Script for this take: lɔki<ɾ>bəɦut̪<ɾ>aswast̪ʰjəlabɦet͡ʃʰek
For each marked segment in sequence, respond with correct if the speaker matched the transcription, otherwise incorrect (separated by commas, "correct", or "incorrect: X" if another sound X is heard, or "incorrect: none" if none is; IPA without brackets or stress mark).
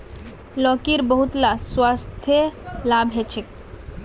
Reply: correct, incorrect: l